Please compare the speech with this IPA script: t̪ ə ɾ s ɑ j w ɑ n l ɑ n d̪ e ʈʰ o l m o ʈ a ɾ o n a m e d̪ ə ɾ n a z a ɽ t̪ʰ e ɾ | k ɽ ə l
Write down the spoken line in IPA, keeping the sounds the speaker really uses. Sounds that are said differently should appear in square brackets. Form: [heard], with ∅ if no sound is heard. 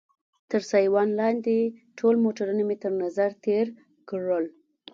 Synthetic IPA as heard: t̪ ə ɾ s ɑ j w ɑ n l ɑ n d̪ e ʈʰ o l m o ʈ a ɾ [u] n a m e [t̪] ə ɾ n a z a [ɾ] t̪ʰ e ɾ | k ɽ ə l